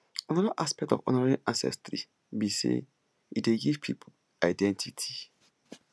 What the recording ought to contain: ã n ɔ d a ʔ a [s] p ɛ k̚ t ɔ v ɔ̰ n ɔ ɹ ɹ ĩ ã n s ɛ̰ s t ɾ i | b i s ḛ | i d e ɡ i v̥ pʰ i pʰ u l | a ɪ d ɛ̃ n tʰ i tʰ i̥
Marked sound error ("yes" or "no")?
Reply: no